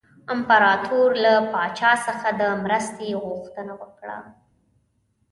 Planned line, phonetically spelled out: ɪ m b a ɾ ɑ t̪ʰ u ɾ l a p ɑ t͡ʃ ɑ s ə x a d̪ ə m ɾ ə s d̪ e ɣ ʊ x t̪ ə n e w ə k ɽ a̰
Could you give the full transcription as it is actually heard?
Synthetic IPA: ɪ m p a ɾ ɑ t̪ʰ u ɾ l a p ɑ t͡ʃ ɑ s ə x a d̪ ə m ɾ ə s t̪ e ɣ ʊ x t̪ ə n a w ə k ɽ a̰